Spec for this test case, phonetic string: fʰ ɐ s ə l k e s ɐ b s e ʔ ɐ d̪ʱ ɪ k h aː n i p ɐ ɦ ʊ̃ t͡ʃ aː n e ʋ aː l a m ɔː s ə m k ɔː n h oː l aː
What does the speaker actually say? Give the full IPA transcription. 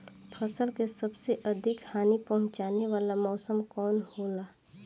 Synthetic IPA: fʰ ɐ s ə l k e s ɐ b s e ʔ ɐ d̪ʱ ɪ k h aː n i p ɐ ɦ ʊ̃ t͡ʃ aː n e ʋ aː l a m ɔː s ə m k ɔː n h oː l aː